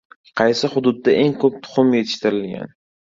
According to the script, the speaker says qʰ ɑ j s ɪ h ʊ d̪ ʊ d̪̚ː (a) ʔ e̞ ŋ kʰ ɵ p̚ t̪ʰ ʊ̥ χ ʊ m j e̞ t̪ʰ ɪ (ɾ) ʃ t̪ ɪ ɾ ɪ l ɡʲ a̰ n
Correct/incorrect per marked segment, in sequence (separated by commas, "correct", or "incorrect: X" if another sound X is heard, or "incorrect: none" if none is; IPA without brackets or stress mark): correct, incorrect: none